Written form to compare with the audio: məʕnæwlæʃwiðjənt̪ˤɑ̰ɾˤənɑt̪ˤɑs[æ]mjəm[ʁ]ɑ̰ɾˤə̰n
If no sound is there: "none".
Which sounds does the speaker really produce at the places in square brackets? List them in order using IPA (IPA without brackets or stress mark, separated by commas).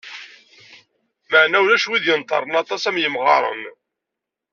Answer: æ, ʁ